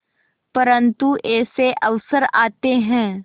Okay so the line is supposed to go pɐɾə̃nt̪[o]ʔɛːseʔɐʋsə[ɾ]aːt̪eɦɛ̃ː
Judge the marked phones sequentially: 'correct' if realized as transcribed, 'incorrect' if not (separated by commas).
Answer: incorrect, correct